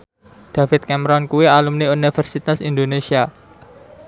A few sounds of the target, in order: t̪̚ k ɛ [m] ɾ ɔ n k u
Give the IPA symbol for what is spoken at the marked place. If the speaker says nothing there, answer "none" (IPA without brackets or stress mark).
m